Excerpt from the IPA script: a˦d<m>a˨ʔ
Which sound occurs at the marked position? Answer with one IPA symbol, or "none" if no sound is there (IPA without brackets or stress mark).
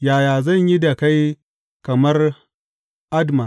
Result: m